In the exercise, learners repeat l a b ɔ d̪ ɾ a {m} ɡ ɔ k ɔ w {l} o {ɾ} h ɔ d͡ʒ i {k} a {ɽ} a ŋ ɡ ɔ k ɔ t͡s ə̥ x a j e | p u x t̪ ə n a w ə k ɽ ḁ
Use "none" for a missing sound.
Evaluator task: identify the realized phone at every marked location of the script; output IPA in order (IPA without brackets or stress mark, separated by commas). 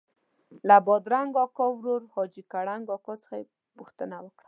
ŋ, ɾ, ɾ, k, ɽ